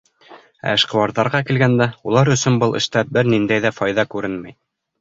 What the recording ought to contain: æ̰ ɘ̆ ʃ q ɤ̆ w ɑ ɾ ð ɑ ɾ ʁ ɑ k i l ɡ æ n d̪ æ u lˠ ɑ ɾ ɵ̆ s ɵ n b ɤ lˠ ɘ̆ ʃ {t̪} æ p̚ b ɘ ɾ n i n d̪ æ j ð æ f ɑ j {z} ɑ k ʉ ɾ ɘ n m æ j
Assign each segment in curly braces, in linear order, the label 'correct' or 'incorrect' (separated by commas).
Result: correct, incorrect